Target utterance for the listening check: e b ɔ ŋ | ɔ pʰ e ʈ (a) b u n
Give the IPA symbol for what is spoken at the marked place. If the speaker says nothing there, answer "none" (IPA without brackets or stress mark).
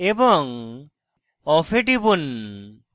i